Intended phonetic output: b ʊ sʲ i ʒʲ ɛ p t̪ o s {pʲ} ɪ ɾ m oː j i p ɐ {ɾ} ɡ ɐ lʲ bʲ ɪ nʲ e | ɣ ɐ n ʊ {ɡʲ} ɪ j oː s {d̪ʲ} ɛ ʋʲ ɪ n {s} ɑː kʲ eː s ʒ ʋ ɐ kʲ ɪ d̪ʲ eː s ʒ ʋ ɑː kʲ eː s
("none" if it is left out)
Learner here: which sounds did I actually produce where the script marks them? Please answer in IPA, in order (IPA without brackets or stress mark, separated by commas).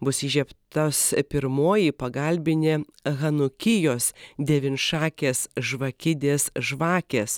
pʲ, none, kʲ, d̪ʲ, ʃ